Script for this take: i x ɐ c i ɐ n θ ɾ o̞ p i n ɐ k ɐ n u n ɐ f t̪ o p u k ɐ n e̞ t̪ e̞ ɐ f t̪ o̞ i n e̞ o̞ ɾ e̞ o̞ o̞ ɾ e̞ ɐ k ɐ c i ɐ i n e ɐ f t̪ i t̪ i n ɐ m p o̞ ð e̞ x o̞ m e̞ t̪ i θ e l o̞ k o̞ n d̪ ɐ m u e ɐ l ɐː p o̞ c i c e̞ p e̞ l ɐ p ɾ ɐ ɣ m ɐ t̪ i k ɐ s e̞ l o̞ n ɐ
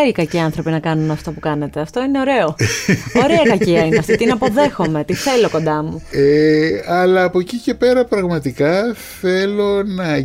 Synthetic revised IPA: i k ɐ c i ɐ n θ ɾ o̞ p i n ɐ k ɐ n u n ɐ f t̪ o p u k ɐ n e̞ t̪ e̞ ɐ f t̪ o̞ i n e̞ o̞ ɾ e̞ o̞ o̞ ɾ e̞ ɐ k ɐ c i ɐ i n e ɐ f t̪ i t̪ i n ɐ p o̞ ð e̞ x o̞ m e̞ t̪ i θ e l o̞ k o̞ n d̪ ɐ m u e ɐ l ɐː p o̞ c i c e̞ p e̞ ɾ ɐ p ɾ ɐ ɣ m ɐ t̪ i k ɐ θ e̞ l o̞ n ɐ